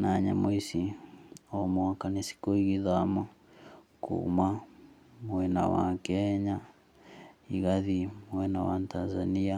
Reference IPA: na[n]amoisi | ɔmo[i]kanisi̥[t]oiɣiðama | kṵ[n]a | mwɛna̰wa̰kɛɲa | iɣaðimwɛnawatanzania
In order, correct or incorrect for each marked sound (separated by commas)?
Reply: incorrect, incorrect, incorrect, incorrect